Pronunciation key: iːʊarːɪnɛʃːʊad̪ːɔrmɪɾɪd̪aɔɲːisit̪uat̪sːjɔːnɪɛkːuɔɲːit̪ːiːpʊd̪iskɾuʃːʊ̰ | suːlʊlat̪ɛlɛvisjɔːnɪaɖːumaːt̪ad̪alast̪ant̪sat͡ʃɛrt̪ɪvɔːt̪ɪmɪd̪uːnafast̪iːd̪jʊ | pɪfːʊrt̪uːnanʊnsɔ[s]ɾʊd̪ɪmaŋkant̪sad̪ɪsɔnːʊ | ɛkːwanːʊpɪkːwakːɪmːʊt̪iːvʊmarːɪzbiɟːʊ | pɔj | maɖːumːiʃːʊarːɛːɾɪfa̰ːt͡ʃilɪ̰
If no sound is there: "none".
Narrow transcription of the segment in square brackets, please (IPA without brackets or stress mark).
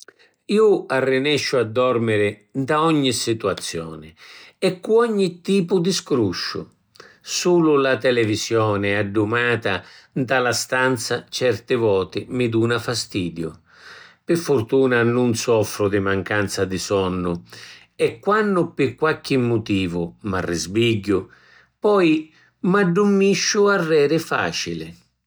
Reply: f